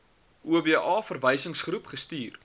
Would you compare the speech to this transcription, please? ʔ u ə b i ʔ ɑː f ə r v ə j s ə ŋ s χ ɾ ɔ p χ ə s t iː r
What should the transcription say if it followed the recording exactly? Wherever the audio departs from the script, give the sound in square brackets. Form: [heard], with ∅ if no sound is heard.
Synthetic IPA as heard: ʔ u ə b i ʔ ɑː f ə r v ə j s ə ŋ s χ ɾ [u] p χ ə s t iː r